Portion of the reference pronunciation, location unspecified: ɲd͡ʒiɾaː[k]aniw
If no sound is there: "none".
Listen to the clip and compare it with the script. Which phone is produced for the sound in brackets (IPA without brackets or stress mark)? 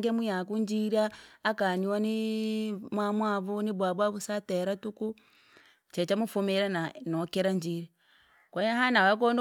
k